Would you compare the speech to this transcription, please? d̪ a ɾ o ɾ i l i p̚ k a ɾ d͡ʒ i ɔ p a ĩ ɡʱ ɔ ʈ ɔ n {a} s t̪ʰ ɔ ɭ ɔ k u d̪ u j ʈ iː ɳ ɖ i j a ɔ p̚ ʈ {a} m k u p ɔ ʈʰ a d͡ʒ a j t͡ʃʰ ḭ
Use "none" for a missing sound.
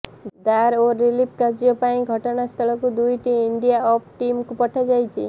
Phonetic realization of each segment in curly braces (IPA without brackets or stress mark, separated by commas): a, i